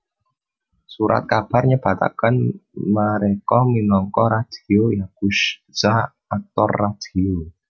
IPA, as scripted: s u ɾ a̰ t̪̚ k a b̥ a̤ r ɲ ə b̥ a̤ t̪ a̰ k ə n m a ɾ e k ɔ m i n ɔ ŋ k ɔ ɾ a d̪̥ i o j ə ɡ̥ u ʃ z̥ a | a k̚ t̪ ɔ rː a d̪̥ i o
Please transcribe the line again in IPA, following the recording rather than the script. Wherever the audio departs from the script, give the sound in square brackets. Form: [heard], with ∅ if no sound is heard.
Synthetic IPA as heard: s u ɾ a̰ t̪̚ k a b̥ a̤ r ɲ ə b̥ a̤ t̪ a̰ k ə n m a ɾ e k ɔ m i n ɔ ŋ k ɔ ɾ a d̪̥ i o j [a] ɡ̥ u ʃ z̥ a | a k̚ t̪ ɔ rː a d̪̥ i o